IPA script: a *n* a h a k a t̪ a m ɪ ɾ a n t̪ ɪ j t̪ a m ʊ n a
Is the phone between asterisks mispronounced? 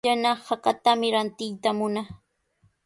no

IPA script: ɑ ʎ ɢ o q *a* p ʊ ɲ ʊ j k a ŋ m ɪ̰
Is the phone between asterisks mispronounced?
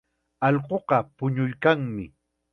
yes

